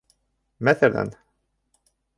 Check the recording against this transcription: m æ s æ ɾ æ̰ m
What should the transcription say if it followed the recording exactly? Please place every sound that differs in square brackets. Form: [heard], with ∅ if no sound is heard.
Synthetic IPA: m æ [θ] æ [l] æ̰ [n]